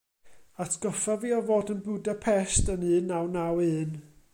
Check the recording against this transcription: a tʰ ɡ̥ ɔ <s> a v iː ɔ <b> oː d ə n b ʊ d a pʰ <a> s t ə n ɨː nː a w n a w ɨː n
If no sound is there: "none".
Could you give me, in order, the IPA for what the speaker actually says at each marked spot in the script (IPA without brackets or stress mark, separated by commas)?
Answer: f, v, ɛ